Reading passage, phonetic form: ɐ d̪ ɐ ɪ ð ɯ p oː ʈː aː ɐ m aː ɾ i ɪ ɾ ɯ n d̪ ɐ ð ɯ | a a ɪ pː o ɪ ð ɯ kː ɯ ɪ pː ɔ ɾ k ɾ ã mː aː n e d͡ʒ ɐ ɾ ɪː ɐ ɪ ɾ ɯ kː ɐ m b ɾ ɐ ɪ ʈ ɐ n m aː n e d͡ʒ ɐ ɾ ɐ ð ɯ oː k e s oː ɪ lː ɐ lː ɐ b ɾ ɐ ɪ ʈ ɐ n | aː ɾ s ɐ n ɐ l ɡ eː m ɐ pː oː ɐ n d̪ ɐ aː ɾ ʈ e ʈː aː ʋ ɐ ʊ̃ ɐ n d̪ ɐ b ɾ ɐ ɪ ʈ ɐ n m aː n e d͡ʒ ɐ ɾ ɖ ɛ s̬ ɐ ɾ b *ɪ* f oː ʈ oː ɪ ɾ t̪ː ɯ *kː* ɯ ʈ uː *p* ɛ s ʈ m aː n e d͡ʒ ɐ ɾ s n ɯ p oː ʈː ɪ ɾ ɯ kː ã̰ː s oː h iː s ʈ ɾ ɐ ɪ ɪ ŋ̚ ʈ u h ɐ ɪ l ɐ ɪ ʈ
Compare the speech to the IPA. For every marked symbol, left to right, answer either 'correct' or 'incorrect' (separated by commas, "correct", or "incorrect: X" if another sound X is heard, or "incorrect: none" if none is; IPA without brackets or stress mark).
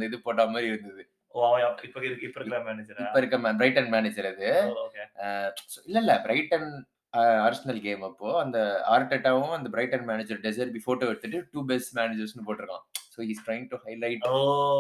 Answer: incorrect: i, incorrect: ʈː, incorrect: b